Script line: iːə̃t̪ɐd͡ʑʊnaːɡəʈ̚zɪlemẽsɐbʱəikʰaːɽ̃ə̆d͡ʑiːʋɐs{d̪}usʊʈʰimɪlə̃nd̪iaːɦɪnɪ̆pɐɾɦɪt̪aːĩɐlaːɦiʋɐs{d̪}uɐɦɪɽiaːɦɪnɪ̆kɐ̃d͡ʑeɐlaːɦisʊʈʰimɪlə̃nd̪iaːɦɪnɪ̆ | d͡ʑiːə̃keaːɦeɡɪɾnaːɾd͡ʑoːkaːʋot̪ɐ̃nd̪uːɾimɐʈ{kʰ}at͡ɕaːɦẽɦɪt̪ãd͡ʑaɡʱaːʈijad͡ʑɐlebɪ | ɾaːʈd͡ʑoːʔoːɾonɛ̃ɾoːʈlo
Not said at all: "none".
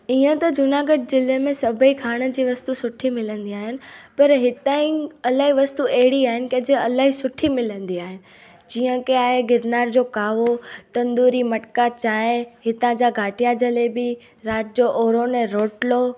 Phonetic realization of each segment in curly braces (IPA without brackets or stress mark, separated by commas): t̪, t̪, k